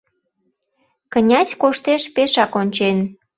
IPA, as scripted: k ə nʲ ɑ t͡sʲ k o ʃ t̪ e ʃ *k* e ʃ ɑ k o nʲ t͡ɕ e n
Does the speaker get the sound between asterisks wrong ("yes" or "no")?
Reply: yes